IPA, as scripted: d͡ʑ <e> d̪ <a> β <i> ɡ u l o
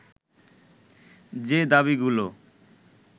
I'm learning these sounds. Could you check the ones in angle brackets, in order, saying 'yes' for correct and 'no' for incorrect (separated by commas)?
yes, yes, yes